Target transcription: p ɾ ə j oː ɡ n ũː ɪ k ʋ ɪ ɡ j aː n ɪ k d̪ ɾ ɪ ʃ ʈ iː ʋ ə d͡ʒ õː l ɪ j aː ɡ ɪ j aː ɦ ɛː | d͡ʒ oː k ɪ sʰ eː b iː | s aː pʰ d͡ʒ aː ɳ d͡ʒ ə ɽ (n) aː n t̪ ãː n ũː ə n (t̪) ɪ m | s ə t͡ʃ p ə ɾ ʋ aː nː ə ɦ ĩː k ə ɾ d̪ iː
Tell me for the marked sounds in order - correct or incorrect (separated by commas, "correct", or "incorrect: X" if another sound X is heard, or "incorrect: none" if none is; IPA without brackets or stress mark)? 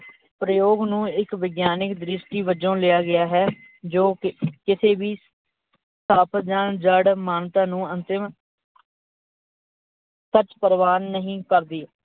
incorrect: m, correct